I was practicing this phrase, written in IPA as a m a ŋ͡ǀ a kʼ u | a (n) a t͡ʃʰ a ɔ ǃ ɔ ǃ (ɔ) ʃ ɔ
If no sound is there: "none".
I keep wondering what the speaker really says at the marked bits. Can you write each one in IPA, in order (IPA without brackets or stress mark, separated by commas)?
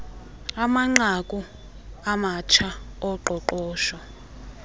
m, ɔː